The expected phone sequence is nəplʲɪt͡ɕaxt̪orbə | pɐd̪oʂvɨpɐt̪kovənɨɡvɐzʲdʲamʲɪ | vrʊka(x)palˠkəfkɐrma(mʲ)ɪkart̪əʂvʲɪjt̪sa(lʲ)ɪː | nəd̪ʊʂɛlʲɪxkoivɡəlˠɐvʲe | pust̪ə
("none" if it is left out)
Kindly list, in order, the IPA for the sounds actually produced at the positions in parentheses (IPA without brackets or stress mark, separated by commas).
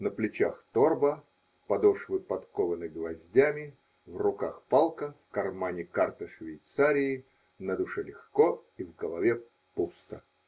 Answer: x, nʲ, ɾʲ